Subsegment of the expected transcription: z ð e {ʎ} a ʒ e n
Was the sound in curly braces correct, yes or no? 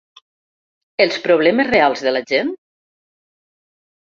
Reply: no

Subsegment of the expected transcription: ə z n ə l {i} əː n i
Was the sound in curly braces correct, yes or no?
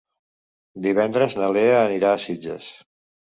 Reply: no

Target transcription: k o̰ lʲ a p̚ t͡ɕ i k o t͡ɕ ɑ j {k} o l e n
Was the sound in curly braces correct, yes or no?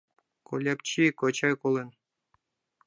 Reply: yes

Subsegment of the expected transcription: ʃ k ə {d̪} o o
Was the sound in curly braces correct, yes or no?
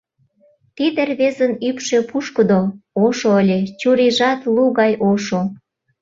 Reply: yes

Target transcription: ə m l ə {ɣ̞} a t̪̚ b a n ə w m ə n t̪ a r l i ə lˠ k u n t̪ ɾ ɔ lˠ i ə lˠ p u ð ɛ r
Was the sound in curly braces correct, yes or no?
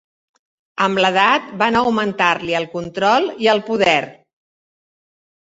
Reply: no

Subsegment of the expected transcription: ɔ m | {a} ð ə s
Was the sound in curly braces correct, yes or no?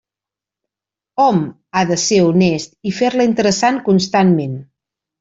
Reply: yes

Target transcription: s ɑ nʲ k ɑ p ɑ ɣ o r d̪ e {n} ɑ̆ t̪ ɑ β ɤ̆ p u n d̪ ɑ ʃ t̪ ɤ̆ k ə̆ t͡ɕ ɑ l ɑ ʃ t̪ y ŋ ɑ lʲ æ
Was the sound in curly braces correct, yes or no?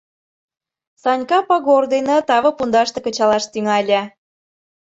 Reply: yes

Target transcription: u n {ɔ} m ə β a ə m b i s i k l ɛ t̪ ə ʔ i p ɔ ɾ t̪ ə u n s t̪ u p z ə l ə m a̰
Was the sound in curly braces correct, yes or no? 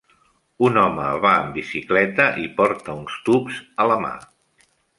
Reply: yes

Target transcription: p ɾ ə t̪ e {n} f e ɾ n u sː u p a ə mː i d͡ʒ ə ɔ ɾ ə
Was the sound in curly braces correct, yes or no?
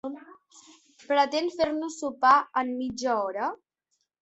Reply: yes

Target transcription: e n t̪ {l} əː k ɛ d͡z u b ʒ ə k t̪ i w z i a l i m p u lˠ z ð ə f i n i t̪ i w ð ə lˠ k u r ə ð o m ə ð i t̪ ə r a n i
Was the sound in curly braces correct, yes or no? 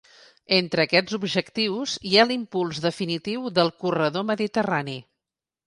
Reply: no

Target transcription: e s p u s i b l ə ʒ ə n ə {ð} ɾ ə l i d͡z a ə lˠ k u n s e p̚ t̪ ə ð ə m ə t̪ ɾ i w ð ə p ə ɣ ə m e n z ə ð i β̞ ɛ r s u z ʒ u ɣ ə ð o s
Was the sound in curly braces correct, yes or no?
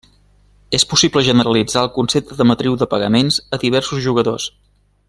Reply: no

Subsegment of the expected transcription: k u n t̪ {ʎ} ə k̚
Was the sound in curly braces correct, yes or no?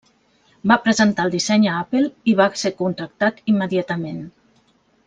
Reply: no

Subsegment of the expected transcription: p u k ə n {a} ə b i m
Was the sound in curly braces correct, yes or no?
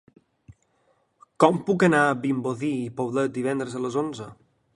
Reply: yes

